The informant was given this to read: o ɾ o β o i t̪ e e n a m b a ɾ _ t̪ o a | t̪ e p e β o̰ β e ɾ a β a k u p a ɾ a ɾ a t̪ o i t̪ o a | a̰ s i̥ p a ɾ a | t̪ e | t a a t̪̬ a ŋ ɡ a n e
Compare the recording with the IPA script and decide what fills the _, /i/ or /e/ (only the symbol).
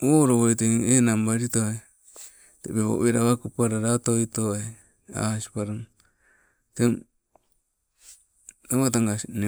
i